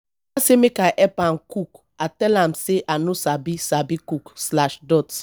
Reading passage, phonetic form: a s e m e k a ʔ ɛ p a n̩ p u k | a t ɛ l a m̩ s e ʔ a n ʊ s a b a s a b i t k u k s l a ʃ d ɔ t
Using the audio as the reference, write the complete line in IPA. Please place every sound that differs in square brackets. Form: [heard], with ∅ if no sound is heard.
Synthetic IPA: a s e m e k a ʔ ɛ p a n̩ [k] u k | a t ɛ l a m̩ s e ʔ a n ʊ s a b [i] s a b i [∅] k u k s l a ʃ d ɔ t